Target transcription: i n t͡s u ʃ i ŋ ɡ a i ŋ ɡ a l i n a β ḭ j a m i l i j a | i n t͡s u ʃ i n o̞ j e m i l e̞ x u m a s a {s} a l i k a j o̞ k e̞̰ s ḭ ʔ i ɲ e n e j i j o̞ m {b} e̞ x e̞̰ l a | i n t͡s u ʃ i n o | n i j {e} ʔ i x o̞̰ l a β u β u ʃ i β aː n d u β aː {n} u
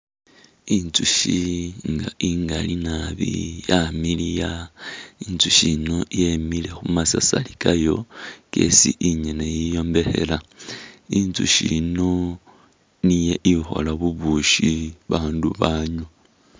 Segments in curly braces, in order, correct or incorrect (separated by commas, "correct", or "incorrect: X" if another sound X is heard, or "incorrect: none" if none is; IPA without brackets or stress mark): correct, correct, correct, incorrect: ɲ